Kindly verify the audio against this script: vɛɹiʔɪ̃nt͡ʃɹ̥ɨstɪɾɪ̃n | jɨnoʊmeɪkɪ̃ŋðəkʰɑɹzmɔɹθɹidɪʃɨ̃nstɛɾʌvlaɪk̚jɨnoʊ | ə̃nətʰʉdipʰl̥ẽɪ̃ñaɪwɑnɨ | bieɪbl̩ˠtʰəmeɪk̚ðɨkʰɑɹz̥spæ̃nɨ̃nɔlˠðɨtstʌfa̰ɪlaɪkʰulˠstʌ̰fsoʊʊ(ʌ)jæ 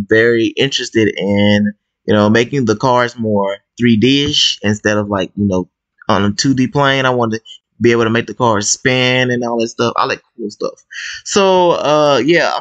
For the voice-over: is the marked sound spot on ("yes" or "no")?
yes